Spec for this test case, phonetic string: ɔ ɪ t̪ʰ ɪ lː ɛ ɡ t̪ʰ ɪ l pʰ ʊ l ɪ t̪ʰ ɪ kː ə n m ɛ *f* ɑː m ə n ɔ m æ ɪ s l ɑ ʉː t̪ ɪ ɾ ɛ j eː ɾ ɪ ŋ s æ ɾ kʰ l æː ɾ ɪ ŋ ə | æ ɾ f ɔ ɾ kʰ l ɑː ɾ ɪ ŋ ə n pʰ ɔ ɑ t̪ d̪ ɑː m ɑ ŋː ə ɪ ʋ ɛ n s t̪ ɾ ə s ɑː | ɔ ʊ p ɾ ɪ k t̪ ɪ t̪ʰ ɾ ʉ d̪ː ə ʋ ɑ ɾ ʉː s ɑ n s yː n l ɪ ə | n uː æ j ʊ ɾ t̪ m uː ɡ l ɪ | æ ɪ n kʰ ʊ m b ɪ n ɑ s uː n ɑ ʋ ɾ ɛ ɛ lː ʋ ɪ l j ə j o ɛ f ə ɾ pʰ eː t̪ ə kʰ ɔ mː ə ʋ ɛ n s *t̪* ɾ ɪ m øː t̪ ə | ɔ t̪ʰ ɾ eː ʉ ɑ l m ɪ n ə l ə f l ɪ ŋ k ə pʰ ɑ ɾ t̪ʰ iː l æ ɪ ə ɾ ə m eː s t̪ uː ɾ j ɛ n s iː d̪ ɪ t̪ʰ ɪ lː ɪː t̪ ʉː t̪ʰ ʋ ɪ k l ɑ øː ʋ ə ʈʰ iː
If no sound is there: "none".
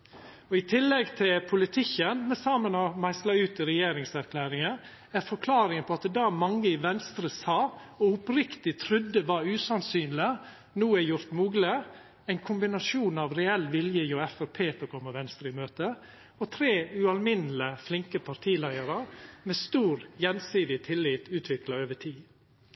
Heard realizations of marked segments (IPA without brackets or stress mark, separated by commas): s, t̪